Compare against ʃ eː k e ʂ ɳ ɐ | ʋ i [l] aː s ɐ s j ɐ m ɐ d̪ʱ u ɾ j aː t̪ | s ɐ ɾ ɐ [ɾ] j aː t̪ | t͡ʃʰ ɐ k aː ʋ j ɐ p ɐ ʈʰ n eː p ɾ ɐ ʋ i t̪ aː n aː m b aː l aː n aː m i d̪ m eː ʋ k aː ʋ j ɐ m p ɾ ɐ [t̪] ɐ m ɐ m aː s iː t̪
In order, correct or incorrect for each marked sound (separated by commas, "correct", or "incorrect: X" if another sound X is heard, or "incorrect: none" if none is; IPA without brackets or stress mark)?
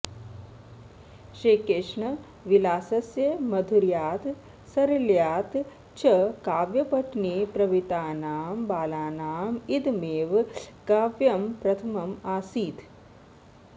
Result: correct, incorrect: l, incorrect: t̪ʰ